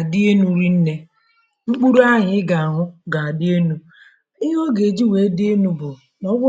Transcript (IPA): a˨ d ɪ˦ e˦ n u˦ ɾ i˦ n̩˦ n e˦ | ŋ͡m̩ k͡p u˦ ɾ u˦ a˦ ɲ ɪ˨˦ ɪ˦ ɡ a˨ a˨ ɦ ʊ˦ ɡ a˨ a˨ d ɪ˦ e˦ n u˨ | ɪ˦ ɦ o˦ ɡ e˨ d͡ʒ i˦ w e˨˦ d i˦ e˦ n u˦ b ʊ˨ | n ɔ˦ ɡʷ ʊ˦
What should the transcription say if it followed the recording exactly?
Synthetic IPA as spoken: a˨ d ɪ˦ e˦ n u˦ ɾ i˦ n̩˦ n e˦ | ŋ͡m̩ k͡p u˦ ɾ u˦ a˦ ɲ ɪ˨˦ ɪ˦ ɡ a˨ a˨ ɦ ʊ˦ ɡ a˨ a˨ d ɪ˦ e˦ n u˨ | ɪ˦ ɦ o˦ ɡ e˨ d͡ʒ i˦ w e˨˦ d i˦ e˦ n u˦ b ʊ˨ | n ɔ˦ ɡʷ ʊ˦